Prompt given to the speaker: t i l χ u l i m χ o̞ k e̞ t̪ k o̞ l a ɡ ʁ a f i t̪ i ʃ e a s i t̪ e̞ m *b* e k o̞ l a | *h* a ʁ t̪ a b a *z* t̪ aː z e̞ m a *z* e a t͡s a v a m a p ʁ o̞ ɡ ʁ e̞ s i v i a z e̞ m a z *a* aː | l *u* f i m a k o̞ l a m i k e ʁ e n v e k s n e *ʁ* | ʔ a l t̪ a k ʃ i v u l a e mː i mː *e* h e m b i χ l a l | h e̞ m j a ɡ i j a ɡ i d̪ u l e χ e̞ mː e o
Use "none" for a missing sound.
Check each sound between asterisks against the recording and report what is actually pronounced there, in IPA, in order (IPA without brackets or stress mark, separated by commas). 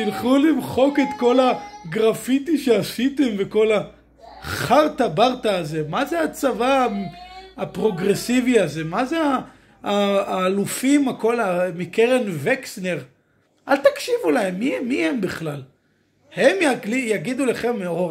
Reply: v, χ, ʁ, z, e, u, ʁ, i